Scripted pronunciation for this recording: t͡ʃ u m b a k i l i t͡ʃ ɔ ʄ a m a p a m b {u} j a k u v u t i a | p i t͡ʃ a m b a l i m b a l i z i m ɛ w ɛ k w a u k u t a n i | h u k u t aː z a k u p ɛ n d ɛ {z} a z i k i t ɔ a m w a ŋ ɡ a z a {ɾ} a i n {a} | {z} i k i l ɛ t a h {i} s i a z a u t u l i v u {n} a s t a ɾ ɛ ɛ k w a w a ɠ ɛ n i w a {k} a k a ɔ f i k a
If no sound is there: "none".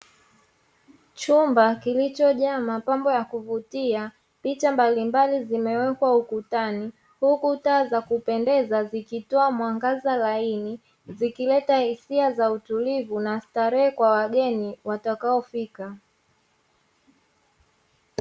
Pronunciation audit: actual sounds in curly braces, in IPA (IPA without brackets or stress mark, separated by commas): ɔ, z, l, i, z, i, n, t